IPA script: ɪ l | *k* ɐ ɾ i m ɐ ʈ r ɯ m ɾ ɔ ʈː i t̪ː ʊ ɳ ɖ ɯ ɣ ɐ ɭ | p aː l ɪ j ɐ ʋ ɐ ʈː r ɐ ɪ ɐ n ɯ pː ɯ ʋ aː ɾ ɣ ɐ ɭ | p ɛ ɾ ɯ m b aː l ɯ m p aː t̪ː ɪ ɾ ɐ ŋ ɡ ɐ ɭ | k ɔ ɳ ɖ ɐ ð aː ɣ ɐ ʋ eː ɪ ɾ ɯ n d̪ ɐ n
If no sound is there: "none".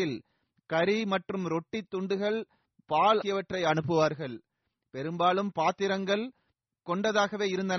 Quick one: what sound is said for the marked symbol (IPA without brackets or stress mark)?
k